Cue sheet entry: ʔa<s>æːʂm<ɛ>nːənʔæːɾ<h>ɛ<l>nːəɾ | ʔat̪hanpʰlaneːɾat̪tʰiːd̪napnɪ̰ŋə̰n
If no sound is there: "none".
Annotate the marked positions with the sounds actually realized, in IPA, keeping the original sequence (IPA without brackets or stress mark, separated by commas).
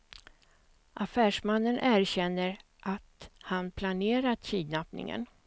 f, a, ɕ, none